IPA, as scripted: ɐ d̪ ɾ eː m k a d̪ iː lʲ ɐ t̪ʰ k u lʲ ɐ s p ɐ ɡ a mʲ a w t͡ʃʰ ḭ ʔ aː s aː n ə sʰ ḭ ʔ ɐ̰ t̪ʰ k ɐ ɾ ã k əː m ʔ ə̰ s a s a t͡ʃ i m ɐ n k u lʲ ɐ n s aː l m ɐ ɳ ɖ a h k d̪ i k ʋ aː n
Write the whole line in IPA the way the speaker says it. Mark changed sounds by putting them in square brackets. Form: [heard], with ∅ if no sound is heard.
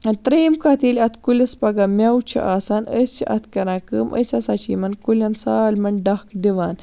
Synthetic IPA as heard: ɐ [t̪] ɾ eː m k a [t̪] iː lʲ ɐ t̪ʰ k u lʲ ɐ s p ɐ ɡ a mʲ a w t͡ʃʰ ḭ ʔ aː s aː n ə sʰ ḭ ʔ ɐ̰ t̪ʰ k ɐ ɾ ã k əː m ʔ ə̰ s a s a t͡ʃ i m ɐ n k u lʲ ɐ n s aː l m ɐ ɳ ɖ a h k d̪ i [∅] ʋ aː n